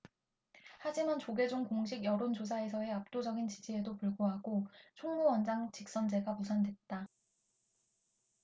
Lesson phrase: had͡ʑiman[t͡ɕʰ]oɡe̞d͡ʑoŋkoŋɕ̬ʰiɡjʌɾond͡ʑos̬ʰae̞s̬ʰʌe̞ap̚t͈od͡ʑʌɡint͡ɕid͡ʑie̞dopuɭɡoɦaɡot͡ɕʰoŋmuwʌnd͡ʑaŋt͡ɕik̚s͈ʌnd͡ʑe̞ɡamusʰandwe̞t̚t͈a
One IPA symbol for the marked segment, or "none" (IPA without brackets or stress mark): t͡ɕ